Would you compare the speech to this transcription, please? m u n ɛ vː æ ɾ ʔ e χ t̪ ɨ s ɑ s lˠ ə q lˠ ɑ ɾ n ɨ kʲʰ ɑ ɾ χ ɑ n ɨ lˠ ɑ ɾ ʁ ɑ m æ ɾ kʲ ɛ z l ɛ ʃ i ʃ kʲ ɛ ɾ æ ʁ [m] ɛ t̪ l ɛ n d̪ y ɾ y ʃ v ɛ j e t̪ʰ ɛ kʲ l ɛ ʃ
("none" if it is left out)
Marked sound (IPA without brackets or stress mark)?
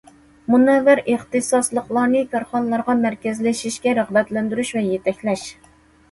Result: b